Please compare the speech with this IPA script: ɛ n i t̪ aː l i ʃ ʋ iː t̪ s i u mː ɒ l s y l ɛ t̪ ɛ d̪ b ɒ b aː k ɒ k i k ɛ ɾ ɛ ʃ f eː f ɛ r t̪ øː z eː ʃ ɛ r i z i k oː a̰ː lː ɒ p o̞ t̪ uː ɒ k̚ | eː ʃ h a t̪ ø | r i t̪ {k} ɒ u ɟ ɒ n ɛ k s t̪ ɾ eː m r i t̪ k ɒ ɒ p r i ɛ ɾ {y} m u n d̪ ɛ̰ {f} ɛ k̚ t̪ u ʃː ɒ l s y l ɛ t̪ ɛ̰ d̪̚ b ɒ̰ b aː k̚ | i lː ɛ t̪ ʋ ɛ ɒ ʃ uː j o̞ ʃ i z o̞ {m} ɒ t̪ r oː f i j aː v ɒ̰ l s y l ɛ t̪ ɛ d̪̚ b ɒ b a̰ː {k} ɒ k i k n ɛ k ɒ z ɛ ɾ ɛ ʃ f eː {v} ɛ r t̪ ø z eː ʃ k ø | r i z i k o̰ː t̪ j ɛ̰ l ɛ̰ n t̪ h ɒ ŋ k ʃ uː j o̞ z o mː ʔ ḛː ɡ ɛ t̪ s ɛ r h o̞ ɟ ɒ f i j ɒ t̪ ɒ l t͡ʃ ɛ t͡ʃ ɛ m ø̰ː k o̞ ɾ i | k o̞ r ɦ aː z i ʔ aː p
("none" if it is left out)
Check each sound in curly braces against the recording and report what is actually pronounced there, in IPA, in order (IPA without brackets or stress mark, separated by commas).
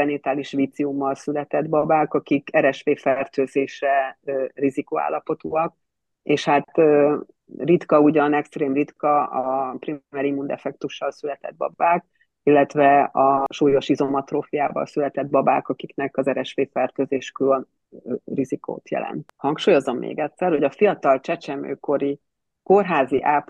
k, i, f, m, k, f